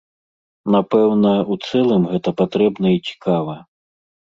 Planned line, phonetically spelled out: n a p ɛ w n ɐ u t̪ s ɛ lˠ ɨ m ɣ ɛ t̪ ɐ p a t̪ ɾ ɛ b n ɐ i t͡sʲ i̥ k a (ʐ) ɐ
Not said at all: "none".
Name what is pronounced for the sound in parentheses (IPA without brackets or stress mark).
v